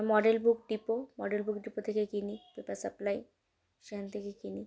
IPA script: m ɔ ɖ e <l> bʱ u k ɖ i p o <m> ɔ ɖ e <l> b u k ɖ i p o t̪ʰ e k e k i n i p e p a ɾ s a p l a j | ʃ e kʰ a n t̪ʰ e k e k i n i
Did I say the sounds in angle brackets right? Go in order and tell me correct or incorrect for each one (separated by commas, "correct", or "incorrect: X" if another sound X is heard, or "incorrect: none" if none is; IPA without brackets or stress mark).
correct, correct, correct